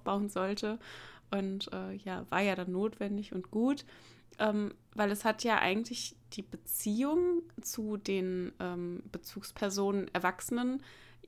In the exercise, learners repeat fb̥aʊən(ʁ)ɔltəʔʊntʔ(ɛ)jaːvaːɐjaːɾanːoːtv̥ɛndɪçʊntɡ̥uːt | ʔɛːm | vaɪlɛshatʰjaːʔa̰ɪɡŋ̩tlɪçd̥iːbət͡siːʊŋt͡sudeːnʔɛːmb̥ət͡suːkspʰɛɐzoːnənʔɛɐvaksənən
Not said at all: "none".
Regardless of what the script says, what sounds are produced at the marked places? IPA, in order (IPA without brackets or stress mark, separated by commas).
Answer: z, ɛː